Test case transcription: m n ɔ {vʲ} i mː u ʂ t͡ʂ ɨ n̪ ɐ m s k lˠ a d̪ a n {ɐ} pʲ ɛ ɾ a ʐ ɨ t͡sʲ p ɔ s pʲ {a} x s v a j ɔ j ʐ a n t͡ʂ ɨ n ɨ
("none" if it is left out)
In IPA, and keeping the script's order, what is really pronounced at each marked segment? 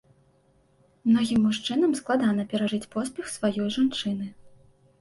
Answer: ɣʲ, ɐ, ɛ

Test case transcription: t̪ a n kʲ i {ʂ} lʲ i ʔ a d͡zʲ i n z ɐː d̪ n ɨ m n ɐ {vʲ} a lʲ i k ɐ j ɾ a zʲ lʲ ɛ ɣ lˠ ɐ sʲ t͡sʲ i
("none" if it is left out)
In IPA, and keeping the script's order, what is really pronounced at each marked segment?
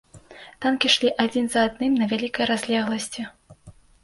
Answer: ʂ, vʲ

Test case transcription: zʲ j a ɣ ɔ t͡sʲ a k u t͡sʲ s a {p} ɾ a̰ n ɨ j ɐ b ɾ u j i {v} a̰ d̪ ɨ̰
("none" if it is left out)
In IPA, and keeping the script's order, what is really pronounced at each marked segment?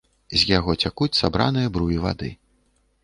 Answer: b, v

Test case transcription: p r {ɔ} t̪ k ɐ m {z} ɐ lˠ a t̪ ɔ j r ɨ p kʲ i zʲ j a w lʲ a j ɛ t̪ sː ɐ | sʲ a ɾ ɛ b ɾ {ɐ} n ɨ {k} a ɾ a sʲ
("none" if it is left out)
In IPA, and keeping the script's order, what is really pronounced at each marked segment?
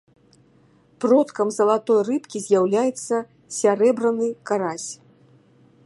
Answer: ɔ, z, ɐ, k

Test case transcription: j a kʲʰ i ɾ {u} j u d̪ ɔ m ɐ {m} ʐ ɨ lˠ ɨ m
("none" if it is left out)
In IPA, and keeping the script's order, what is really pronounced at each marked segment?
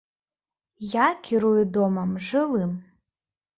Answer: u, m

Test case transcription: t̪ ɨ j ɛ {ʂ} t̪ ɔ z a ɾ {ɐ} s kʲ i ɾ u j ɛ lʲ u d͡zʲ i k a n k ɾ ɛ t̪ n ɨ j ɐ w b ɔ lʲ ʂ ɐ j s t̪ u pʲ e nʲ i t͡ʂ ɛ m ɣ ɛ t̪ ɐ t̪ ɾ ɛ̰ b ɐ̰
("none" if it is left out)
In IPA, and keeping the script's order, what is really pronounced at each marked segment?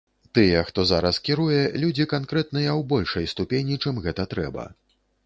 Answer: x, ɐ

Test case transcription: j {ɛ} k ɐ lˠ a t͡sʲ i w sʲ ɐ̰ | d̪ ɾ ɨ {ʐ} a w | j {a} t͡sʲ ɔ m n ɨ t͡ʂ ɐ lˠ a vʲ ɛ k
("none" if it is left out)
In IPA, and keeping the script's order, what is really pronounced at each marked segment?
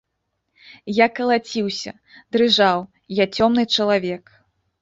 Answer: a, ʐ, a

